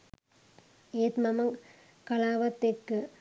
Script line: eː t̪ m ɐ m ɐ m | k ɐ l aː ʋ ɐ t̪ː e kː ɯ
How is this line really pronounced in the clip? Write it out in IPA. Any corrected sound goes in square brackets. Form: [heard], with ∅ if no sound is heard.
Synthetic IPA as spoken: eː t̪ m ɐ m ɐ [ŋ] | k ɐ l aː ʋ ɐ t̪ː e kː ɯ